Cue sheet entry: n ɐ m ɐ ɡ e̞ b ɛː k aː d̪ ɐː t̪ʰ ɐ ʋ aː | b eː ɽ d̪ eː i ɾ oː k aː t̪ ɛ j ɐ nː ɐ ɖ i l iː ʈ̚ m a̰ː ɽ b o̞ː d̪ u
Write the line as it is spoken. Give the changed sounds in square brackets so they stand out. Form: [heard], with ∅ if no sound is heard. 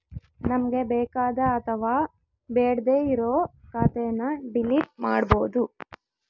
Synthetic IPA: n ɐ m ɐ ɡ e̞ b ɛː k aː d̪ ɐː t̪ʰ ɐ ʋ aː | b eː ɽ d̪ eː i ɾ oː k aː t̪ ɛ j ɐ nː ɐ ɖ i l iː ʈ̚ m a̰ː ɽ b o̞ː d̪ u